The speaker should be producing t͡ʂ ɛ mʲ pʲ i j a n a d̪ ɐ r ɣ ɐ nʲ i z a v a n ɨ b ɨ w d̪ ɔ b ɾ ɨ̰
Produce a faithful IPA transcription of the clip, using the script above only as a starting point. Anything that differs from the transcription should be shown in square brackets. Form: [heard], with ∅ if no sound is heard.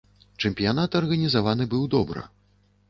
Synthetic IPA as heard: t͡ʂ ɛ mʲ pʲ i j a n a [t̪] ɐ r ɣ ɐ nʲ i z a v a n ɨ b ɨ w d̪ ɔ b ɾ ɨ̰